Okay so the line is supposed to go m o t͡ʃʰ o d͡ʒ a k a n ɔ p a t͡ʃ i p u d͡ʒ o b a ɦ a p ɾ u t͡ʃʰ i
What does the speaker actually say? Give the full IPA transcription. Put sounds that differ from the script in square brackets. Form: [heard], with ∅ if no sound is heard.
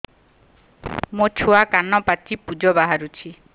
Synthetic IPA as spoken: m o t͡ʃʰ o [∅] a k a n ɔ p a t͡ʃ i p u d͡ʒ [ɔ] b a ɦ a [∅] ɾ u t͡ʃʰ i